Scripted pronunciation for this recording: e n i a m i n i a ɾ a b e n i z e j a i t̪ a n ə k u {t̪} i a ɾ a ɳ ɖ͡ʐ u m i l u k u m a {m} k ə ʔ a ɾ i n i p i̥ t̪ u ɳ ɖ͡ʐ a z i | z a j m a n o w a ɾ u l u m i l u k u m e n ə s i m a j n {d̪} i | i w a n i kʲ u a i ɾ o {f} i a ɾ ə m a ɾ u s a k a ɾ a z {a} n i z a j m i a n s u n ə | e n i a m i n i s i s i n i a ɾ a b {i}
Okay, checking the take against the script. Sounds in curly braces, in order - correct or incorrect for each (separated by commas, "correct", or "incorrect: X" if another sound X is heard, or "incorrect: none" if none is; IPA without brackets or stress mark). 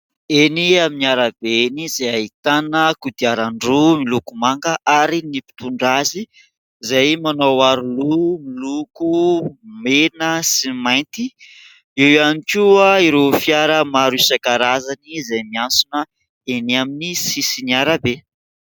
incorrect: d̪, incorrect: ŋ, incorrect: t̪, correct, correct, incorrect: e